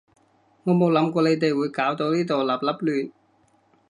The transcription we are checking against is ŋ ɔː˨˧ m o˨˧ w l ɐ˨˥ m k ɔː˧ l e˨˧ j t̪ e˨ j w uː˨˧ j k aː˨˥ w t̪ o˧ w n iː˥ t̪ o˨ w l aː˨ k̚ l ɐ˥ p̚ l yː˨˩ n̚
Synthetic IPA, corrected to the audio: ŋ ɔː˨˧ m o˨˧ w l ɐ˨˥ m k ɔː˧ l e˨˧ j t̪ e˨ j w uː˨˧ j k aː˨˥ w t̪ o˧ w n iː˥ t̪ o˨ w l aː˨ p̚ l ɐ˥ p̚ l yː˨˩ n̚